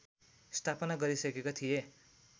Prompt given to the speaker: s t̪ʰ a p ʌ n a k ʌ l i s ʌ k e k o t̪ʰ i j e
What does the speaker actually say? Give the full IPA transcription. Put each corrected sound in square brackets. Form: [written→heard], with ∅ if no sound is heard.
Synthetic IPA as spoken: s t̪ʰ a p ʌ n a [k→ɡ] ʌ [l→ɾ] i s ʌ k e k o t̪ʰ i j e